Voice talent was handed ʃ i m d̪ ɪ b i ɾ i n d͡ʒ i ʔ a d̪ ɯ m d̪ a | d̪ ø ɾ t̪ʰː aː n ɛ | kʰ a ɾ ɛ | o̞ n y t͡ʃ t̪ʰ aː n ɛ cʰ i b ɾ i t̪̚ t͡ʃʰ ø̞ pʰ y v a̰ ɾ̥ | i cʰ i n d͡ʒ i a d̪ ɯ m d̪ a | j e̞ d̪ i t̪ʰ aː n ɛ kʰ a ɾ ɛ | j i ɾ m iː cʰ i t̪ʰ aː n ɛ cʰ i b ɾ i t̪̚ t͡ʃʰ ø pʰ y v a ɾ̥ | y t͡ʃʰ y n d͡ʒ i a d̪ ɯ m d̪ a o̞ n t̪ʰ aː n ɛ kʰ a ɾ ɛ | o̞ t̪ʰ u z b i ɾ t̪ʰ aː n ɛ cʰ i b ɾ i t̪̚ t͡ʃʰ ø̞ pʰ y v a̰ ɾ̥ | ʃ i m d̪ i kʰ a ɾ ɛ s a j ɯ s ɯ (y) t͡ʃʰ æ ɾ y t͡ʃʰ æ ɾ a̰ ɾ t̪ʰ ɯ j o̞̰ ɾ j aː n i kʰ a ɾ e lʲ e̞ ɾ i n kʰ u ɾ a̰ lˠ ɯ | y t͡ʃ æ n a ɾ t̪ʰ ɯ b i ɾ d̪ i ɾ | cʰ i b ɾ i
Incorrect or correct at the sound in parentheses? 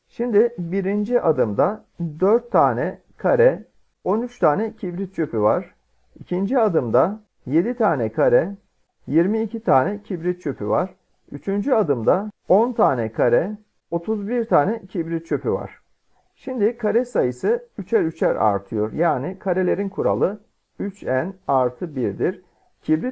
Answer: correct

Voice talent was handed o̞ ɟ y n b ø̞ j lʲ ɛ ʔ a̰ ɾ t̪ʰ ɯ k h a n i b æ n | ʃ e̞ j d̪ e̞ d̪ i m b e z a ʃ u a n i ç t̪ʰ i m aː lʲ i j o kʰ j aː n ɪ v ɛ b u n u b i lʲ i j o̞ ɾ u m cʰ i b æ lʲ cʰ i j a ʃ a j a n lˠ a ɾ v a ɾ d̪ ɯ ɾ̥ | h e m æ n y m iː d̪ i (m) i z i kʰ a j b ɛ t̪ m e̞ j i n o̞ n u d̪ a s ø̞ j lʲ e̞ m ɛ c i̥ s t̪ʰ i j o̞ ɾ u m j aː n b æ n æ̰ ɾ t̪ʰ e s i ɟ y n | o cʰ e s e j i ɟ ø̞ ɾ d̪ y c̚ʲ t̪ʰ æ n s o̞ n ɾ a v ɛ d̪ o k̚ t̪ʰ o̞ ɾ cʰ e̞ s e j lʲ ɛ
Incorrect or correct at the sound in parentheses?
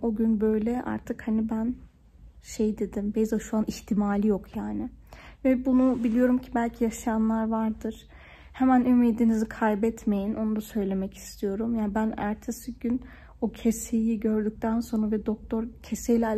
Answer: incorrect: n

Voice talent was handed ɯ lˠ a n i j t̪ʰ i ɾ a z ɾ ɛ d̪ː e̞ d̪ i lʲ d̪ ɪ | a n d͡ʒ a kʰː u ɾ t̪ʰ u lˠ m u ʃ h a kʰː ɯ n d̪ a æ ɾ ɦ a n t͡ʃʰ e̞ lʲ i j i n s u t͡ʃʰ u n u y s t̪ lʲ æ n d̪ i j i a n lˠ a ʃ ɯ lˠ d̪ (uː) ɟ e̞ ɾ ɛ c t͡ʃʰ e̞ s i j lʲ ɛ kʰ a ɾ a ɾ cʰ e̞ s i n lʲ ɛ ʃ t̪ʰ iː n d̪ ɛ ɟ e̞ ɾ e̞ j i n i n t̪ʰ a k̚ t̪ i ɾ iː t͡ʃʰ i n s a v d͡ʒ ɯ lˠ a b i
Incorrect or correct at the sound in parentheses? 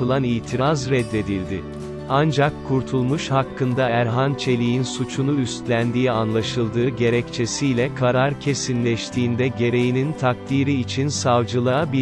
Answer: incorrect: ɯː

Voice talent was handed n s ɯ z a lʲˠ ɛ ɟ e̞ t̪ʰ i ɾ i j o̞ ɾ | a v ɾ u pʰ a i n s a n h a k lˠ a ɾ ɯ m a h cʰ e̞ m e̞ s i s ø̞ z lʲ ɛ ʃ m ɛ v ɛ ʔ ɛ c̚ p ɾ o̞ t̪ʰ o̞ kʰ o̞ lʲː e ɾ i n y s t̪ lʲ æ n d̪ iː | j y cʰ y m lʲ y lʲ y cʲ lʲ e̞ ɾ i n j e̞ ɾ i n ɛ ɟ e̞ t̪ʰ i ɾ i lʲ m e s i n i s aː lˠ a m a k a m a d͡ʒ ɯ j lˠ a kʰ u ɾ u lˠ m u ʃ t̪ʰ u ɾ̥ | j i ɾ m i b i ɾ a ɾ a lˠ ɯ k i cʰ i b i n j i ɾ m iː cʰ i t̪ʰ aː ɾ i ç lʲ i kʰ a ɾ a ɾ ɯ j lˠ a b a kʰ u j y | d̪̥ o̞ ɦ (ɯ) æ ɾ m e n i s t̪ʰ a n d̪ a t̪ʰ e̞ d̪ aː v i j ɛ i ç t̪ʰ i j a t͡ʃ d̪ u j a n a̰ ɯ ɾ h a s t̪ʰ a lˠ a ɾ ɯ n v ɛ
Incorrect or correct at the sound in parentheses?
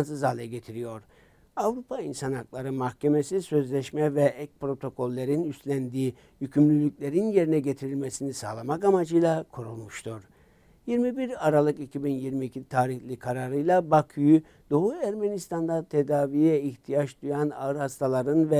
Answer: incorrect: u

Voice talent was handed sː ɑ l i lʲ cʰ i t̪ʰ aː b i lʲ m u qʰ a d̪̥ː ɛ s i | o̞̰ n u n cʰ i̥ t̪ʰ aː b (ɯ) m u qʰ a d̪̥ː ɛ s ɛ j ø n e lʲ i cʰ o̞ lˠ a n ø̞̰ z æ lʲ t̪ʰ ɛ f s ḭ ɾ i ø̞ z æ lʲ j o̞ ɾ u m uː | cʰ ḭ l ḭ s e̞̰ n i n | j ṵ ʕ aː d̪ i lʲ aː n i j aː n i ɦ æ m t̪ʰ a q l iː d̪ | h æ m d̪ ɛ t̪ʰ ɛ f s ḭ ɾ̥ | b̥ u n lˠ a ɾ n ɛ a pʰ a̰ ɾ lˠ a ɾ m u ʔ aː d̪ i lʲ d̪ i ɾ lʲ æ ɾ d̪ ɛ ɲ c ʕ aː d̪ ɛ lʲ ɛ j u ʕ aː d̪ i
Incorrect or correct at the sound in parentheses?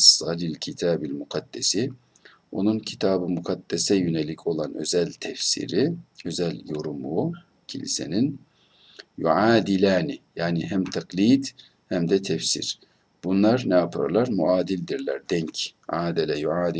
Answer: correct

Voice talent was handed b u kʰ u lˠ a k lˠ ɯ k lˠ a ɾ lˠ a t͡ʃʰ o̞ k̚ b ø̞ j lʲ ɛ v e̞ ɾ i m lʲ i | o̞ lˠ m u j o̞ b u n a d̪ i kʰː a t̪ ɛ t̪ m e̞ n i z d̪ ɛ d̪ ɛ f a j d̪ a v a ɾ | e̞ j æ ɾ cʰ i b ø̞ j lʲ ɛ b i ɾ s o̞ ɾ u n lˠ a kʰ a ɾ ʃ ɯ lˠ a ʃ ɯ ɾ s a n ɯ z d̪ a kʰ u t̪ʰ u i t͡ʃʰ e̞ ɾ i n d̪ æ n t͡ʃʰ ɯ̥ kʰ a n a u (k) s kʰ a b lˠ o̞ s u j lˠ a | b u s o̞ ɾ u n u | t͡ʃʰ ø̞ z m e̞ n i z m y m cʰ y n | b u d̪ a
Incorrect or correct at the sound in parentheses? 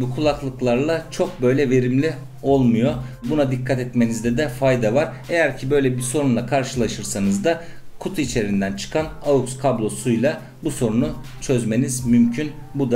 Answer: correct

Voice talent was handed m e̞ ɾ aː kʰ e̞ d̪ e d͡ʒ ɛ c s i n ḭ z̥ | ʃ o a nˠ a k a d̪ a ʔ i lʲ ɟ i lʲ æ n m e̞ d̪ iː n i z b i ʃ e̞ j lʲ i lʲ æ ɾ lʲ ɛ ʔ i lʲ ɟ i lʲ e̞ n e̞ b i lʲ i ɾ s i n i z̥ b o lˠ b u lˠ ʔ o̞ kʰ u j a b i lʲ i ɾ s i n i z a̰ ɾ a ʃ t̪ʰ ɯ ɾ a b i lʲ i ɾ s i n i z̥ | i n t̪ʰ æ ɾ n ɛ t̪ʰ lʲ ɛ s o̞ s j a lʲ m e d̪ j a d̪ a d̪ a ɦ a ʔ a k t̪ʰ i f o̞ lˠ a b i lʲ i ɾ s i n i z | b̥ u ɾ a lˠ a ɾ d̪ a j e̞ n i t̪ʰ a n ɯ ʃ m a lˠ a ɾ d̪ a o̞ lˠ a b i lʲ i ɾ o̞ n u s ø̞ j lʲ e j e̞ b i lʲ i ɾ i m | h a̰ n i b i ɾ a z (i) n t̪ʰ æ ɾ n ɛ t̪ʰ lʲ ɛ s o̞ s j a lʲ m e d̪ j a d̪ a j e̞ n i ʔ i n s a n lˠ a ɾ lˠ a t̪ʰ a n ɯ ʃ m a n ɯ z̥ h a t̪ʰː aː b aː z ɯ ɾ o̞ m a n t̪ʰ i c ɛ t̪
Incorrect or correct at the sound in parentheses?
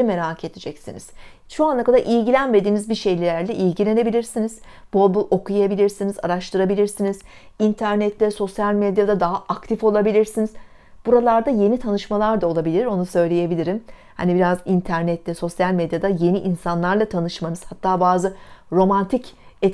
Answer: correct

